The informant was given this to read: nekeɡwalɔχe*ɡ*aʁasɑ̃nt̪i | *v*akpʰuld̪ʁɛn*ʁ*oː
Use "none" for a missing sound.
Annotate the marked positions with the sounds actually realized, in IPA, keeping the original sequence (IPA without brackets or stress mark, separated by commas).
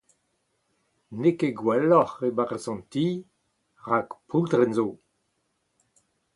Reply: b, ʁ, z